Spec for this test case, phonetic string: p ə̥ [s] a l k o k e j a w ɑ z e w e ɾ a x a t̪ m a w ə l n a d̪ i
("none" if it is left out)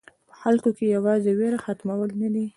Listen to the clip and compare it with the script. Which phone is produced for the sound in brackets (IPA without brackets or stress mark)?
x